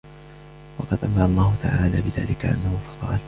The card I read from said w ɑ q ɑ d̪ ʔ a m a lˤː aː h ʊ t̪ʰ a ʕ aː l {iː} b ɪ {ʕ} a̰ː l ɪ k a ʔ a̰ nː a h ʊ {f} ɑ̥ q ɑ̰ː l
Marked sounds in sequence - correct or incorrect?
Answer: incorrect: aː, incorrect: ð, correct

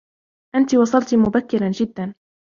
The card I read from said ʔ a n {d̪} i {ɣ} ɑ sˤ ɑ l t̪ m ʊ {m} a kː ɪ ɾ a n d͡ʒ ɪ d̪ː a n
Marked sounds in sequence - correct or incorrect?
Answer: incorrect: t̪, incorrect: w, incorrect: b

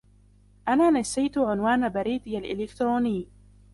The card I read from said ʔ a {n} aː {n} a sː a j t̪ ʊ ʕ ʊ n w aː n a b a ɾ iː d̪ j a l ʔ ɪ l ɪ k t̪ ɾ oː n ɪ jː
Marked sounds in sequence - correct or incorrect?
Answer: correct, correct

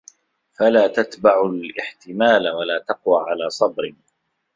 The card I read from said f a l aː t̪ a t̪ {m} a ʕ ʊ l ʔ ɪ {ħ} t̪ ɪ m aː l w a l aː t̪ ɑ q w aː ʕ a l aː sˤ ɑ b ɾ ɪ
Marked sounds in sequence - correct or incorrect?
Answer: incorrect: b, correct

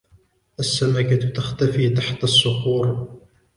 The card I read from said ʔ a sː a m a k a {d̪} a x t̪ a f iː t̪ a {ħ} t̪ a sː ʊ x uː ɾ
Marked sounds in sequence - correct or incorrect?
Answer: incorrect: t̪, correct

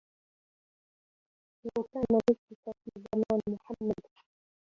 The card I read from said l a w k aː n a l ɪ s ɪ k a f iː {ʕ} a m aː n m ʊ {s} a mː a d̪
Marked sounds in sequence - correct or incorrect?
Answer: incorrect: z, incorrect: ħ

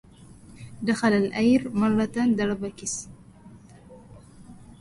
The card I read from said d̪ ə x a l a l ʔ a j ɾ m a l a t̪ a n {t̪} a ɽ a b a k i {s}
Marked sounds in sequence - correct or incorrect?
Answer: incorrect: d̪, correct

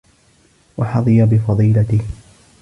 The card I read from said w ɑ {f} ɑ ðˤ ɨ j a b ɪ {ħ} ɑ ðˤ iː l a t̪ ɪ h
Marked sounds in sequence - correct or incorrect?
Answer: incorrect: ħ, incorrect: f

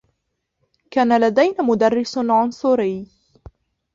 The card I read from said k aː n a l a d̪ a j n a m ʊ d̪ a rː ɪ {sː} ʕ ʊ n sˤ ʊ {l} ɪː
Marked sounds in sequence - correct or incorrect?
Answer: incorrect: s, incorrect: ɾ

